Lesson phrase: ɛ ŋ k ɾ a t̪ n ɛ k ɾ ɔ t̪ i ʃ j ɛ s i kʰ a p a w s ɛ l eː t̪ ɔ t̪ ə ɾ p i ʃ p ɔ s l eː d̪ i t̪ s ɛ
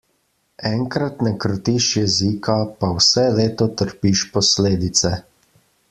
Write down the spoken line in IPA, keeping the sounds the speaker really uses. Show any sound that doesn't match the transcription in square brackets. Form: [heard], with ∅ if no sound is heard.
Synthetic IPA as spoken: ɛ ŋ k ɾ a t̪ n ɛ k ɾ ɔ t̪ i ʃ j ɛ [z] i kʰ a p a w s ɛ l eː t̪ ɔ t̪ ə ɾ p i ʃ p ɔ s l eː d̪ i t̪ s ɛ